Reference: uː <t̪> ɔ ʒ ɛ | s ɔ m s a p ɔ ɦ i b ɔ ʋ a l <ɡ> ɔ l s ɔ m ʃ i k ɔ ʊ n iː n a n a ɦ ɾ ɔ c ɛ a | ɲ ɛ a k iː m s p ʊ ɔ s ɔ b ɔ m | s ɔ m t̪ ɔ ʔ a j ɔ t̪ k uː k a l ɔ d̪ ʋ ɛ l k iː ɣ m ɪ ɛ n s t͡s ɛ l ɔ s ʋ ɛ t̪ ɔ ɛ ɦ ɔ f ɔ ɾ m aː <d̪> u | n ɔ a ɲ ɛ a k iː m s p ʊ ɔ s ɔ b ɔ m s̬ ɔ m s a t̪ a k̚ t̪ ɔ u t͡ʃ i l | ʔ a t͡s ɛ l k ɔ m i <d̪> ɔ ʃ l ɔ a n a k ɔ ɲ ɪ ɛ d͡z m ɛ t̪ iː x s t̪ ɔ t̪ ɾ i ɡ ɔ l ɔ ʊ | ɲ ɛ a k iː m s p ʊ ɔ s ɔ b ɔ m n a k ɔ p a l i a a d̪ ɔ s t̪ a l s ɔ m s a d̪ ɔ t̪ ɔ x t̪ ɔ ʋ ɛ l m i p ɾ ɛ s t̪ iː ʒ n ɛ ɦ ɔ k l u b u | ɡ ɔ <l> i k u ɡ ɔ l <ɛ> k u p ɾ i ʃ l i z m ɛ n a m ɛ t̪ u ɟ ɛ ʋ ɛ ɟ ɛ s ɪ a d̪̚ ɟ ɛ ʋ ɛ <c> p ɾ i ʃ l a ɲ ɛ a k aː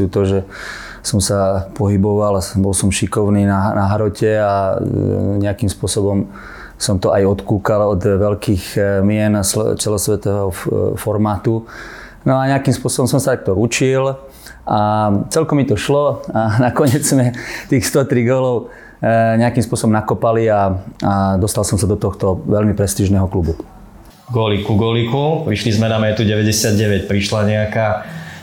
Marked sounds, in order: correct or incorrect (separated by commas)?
correct, incorrect, incorrect, incorrect, correct, incorrect, correct